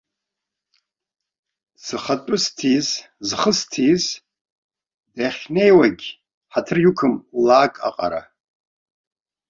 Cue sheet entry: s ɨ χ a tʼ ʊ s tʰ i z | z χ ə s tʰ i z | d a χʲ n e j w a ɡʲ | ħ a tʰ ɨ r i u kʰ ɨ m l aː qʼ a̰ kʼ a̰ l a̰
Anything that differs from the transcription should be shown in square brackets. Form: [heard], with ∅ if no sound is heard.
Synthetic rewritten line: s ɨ χ a tʼ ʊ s tʰ i z | z χ ə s tʰ i z | d a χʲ n e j w a ɡʲ | ħ a tʰ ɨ r [j] u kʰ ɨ m l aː [kʼ] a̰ [qʼ] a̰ [ɾ] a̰